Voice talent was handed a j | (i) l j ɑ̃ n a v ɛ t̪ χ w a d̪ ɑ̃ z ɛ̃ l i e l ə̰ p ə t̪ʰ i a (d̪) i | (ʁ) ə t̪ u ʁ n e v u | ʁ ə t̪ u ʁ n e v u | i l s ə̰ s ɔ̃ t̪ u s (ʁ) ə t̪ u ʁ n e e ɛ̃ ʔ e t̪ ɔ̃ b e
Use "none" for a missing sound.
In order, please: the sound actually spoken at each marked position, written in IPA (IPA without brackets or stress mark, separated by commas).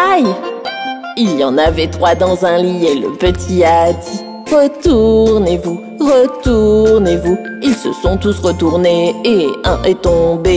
i, d̪, ʁ, ʁ